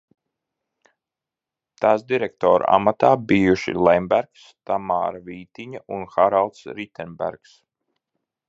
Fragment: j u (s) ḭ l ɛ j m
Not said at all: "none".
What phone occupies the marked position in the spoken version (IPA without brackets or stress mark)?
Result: ʃ